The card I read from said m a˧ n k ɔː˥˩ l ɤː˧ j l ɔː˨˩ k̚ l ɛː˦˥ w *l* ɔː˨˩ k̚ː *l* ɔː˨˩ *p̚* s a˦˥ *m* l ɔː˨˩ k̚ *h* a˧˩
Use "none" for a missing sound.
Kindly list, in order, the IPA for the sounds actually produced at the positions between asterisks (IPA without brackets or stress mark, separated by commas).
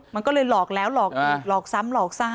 l, l, k̚, m, s